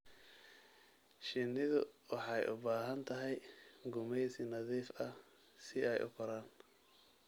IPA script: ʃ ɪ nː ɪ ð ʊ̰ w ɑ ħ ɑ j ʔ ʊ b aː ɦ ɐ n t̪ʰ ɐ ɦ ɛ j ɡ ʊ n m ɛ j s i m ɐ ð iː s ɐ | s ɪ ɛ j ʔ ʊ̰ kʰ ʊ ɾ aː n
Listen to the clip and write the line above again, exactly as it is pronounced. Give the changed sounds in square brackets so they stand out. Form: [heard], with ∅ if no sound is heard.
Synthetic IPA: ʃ ɪ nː ɪ ð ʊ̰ w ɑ ħ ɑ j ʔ ʊ b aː ɦ ɐ n t̪ʰ ɐ ɦ ɛ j ɡ ʊ [∅] m ɛ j s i [n] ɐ ð iː [f] ɐ | s ɪ ɛ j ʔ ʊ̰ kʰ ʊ ɾ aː n